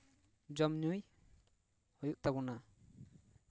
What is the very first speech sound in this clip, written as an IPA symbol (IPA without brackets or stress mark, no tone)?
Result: d͡ʒ